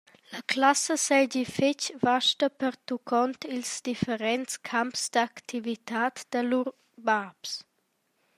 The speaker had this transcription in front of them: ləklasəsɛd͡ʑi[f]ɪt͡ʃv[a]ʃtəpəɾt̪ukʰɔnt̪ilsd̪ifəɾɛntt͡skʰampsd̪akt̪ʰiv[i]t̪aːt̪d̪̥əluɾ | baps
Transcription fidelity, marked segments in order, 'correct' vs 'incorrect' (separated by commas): correct, correct, correct